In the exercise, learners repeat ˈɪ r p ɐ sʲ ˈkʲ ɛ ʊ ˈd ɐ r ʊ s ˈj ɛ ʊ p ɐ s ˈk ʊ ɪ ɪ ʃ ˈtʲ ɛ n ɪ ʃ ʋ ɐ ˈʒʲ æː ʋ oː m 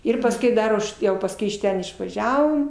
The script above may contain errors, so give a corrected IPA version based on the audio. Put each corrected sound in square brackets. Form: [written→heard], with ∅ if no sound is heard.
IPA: ˈɪ r p ɐ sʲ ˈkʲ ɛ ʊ ˈd ɐ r ʊ [s→ʃ] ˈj ɛ ʊ p ɐ s ˈk ʊ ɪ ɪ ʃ ˈtʲ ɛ n ɪ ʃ ʋ ɐ ˈʒʲ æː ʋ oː m